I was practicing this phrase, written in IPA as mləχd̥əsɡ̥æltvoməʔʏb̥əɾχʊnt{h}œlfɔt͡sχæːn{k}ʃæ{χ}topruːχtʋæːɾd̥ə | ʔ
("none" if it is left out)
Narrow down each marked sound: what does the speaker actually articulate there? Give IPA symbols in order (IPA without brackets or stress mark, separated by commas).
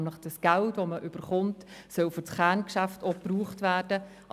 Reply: s, k, f